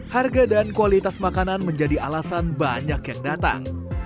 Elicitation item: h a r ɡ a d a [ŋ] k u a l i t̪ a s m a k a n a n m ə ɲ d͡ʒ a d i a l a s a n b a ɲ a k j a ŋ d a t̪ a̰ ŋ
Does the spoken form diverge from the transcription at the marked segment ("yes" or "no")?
yes